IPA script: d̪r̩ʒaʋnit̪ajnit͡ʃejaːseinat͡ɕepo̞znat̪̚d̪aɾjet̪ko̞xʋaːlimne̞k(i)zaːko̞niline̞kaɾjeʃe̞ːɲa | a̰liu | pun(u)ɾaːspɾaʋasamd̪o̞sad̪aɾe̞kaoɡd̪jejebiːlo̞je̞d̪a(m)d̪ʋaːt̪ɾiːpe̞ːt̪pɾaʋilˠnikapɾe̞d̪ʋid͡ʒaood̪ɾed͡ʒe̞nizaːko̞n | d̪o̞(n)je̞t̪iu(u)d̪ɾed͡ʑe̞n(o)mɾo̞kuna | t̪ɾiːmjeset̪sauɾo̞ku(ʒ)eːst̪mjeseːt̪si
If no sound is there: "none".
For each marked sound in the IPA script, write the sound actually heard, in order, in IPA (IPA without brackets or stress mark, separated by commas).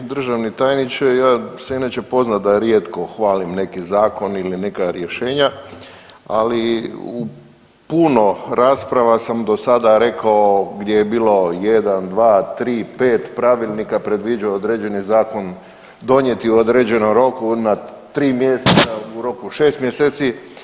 i, o, n, ɲ, o, o, ʃ